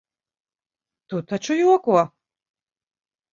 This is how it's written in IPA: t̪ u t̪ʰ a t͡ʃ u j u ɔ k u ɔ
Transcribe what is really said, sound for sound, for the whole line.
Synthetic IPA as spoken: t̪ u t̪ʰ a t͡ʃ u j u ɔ k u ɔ